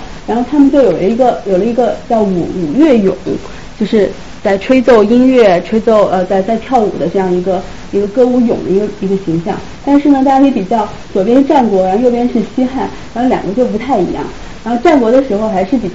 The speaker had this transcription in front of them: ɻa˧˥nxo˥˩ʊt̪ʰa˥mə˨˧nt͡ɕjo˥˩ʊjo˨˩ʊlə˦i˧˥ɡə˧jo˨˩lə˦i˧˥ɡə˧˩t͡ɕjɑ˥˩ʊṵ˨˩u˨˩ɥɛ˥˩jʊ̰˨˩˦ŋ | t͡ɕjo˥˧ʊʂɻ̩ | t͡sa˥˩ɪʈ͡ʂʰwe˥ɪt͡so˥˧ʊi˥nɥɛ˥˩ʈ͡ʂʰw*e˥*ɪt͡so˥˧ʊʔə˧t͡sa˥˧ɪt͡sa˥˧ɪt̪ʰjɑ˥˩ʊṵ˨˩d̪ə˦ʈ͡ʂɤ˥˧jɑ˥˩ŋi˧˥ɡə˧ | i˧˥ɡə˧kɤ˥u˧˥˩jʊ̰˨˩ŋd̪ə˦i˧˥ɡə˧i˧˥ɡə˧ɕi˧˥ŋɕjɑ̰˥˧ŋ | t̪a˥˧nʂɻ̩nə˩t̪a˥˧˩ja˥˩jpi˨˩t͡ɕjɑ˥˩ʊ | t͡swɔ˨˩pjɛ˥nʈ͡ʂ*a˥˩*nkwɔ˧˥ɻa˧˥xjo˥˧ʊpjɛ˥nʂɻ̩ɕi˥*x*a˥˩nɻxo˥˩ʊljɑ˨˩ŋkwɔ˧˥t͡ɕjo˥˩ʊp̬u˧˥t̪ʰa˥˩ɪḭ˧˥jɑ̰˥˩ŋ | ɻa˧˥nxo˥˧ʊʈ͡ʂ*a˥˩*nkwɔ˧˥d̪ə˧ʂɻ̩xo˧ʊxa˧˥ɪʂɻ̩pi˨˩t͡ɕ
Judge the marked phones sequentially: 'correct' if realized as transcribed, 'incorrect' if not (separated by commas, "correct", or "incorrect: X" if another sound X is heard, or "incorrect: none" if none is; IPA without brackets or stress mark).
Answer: correct, correct, correct, correct